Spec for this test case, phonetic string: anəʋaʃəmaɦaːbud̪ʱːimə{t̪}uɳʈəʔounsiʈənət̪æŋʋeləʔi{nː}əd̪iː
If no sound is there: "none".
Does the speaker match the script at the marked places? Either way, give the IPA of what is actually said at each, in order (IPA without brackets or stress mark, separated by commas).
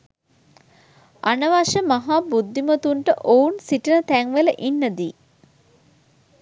t̪, nː